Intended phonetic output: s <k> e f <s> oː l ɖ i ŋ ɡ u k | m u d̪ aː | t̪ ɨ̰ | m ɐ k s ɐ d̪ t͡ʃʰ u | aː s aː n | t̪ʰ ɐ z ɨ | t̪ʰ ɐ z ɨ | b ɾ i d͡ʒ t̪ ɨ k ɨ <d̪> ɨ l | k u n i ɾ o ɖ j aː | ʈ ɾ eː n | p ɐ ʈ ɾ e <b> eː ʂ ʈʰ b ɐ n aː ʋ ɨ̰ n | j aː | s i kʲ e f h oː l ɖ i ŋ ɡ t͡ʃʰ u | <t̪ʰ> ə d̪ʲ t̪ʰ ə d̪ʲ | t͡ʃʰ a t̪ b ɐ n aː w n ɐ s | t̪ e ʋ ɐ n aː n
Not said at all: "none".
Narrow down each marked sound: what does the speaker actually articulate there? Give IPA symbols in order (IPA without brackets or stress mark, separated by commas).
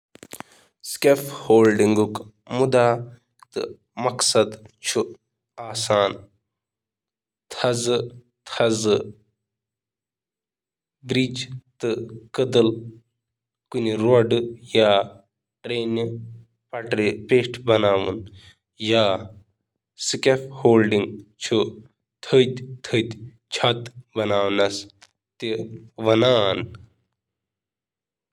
k, h, d̪, p, t̪ʰ